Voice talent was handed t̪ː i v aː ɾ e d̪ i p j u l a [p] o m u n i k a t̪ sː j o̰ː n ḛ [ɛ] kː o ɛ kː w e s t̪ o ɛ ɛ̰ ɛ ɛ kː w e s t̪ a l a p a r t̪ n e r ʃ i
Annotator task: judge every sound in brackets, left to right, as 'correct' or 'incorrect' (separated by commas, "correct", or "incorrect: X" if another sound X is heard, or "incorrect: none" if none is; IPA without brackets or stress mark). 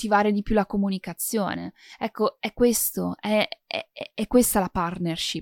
incorrect: k, correct